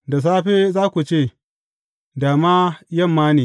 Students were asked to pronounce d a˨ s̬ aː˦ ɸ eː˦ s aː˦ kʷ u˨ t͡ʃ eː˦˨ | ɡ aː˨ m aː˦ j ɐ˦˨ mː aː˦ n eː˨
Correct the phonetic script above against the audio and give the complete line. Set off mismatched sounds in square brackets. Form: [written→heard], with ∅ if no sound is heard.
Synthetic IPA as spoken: d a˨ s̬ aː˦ ɸ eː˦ [s→z] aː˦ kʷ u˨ t͡ʃ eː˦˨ | [ɡ→d] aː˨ m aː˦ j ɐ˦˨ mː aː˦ n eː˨